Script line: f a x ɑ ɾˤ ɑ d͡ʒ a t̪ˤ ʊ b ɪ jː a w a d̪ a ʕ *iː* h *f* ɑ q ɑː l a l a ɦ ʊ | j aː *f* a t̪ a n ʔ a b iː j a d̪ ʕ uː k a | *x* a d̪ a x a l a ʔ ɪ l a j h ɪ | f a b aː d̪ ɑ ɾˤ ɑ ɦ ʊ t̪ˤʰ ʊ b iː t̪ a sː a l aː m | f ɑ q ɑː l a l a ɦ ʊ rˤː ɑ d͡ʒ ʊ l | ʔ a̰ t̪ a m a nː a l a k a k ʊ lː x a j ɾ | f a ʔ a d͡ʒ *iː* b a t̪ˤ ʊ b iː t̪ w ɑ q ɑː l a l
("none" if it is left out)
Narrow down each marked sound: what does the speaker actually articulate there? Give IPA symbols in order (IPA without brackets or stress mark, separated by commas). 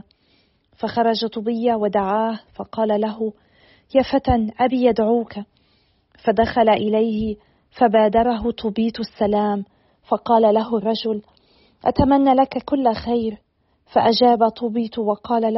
aː, f, f, f, aː